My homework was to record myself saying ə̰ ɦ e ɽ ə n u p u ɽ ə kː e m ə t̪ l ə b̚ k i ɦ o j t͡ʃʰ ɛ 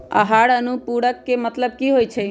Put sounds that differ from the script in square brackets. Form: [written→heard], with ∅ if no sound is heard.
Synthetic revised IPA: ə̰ ɦ [e→a] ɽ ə n u p u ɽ ə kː e m ə t̪ l ə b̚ k i ɦ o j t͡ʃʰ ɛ